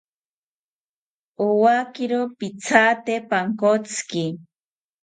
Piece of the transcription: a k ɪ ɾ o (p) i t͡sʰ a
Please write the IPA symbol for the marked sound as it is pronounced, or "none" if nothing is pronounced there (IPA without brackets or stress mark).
p